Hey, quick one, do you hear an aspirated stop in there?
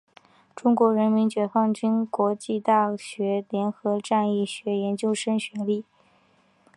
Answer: no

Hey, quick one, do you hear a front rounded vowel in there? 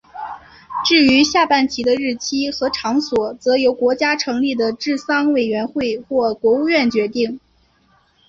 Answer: yes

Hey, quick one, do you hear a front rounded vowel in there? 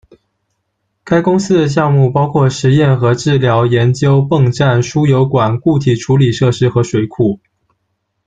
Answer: no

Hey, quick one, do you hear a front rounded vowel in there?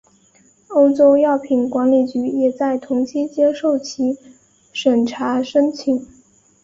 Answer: yes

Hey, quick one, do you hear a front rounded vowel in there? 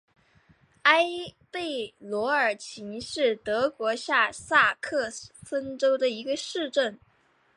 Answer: no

